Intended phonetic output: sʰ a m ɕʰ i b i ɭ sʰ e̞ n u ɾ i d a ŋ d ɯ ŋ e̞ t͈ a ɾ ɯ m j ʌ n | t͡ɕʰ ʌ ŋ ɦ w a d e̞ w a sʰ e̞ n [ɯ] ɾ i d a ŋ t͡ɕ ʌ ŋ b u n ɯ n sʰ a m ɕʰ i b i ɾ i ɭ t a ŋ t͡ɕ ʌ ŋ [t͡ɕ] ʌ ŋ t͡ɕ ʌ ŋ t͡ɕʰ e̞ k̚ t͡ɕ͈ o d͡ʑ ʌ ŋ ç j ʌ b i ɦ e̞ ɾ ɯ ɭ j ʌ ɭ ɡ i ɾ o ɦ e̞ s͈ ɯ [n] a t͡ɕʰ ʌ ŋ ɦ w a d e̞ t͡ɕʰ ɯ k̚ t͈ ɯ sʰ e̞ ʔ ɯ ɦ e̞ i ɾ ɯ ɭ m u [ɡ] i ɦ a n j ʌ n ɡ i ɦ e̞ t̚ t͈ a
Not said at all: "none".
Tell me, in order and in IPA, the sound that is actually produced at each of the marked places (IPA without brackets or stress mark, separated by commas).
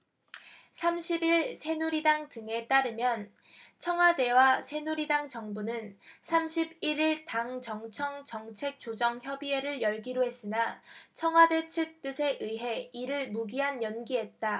u, t͡ɕʰ, n, ɡ